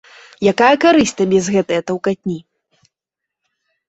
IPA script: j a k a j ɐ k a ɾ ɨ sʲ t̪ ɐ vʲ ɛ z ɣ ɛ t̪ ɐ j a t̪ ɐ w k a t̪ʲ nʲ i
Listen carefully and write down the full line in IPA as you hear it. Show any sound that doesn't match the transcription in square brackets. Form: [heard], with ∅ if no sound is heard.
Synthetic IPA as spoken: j a k a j ɐ k a ɾ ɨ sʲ t̪ ɐ [bʲ] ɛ z ɣ ɛ t̪ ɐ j [ɐ] t̪ ɐ w k a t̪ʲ nʲ i